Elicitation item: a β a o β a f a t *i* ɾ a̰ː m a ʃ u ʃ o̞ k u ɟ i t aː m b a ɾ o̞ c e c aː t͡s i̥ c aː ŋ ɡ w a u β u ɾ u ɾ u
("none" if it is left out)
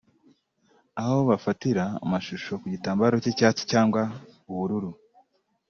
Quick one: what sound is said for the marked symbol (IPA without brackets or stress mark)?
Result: i